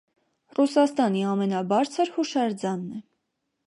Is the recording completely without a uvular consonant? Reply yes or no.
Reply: yes